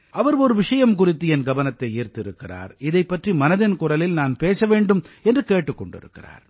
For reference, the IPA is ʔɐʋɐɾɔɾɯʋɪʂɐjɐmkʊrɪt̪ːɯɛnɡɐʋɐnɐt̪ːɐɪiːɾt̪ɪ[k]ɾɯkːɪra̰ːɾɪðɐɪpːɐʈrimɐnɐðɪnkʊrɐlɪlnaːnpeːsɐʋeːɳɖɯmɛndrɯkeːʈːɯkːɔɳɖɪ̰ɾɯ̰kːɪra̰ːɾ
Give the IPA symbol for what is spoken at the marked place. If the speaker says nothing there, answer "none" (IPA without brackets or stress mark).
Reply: none